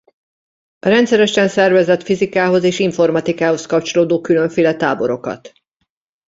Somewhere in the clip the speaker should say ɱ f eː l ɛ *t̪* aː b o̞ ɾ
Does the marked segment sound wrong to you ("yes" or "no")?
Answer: no